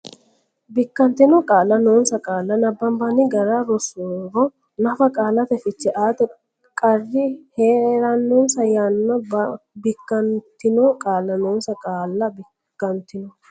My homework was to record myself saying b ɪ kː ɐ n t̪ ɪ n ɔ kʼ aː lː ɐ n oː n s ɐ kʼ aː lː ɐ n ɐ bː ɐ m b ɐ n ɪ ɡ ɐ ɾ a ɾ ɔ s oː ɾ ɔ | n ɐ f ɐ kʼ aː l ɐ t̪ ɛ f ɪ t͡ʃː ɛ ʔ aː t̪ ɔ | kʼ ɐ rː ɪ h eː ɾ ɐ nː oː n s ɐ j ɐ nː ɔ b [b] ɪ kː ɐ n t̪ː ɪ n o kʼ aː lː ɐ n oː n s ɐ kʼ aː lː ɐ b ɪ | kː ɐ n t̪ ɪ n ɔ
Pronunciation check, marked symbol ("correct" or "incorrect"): correct